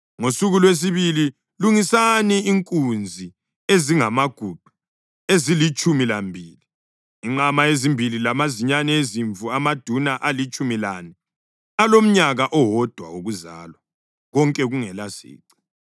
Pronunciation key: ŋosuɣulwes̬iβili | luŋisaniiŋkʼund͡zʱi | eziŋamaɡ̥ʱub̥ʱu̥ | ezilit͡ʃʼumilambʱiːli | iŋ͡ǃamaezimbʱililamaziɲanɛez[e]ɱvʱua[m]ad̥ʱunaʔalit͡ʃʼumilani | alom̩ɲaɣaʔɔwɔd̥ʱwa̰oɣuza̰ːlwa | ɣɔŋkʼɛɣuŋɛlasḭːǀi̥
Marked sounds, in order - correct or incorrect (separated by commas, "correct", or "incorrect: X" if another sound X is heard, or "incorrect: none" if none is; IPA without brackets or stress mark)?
incorrect: i, correct